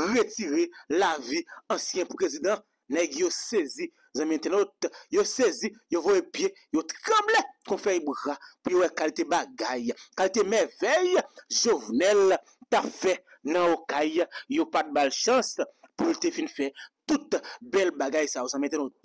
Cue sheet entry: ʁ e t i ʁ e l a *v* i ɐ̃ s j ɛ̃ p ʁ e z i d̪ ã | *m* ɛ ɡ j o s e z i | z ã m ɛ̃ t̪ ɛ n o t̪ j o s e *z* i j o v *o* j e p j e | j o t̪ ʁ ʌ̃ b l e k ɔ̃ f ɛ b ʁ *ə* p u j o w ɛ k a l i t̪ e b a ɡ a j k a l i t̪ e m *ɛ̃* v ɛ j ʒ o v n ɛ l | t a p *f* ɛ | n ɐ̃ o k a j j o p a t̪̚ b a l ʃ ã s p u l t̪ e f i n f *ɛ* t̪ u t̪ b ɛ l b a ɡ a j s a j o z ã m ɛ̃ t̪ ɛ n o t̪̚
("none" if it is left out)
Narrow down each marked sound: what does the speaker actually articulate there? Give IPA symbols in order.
v, n, z, o, a, ɛ, f, ɛ

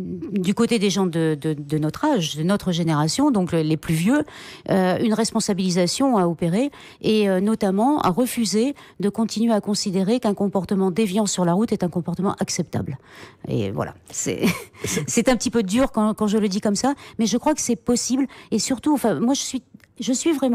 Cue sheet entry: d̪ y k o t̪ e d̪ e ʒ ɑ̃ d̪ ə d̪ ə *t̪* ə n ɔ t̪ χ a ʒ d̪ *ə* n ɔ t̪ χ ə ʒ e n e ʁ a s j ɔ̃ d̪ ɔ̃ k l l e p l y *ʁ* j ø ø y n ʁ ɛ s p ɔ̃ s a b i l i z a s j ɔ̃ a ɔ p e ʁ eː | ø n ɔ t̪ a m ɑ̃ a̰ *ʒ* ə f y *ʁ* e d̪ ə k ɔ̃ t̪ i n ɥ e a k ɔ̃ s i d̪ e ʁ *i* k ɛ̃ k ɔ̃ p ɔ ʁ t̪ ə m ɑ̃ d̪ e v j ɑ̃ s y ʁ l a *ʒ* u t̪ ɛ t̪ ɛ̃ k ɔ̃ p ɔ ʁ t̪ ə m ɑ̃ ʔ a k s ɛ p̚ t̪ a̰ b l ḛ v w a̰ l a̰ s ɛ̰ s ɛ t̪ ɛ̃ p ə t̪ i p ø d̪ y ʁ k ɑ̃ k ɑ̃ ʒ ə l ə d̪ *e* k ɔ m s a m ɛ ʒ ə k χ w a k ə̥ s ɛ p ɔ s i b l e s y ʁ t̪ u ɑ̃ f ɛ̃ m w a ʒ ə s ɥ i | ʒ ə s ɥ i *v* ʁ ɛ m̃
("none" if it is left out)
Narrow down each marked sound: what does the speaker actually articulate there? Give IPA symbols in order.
d̪, ə, v, ʁ, z, e, ʁ, i, v

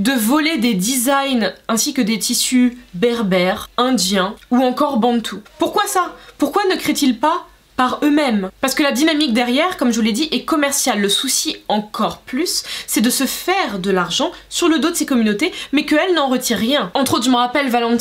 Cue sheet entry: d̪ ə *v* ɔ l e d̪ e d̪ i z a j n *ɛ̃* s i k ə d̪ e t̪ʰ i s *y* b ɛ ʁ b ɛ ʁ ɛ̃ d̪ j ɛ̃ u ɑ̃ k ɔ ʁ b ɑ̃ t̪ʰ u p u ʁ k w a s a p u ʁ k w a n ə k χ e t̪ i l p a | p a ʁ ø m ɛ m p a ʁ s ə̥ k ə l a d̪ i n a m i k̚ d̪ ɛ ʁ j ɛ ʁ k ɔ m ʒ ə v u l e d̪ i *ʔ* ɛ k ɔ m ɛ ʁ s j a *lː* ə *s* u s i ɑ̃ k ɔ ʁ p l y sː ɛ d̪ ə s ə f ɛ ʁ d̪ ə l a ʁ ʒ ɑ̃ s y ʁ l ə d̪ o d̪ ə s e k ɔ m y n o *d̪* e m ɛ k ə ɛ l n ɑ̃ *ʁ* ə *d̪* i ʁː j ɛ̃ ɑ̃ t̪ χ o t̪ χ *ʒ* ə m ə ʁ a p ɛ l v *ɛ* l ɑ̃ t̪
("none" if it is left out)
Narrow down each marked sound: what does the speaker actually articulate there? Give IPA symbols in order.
v, ɛ̃, y, ʔ, lː, s, t̪, ʁ, t̪, ʒ, a

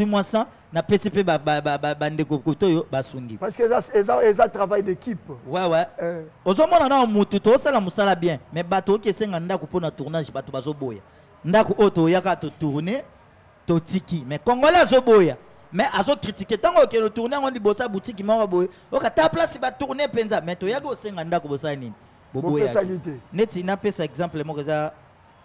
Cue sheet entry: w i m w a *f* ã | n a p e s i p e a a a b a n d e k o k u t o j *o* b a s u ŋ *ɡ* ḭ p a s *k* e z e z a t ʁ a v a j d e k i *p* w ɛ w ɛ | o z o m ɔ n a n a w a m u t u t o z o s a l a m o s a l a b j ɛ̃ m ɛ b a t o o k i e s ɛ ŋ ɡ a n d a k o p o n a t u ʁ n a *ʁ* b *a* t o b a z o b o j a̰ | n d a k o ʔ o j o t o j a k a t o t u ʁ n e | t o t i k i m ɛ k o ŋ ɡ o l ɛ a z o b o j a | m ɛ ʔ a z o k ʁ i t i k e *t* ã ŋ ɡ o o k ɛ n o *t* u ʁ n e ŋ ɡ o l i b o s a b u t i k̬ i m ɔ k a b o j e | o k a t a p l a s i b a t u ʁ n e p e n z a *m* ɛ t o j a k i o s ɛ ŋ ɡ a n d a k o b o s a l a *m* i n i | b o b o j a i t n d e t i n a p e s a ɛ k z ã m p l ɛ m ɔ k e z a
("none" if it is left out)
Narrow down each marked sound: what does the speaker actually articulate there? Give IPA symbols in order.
s, o, ɡ, k, p, ʒ, a, t, t, m, n

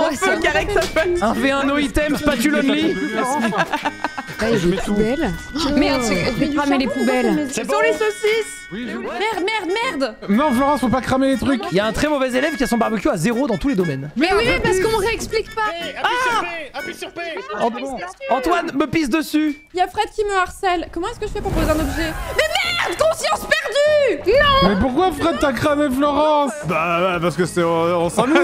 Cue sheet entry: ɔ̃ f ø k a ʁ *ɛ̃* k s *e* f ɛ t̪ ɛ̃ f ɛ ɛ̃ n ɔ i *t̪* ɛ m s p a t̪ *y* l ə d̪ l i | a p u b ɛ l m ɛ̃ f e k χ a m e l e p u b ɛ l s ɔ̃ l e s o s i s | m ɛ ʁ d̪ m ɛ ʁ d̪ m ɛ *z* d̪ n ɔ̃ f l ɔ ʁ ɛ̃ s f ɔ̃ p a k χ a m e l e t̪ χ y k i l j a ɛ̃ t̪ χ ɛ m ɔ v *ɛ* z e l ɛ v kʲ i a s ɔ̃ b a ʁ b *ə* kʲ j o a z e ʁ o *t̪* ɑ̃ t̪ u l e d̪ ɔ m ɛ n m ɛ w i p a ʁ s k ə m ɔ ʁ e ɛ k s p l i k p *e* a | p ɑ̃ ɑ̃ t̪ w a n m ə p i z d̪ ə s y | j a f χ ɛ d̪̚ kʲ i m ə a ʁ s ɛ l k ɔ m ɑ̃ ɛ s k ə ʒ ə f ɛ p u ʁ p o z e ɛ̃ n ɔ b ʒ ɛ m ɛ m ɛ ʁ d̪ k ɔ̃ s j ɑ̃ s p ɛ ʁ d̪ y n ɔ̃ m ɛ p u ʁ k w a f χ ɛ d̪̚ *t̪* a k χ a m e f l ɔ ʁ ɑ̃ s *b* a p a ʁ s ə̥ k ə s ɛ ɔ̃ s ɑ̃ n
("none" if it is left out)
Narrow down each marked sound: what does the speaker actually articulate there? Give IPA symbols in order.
ɛ, a, t̪, y, ʁ, ɛ, ə, d̪, a, t̪, b

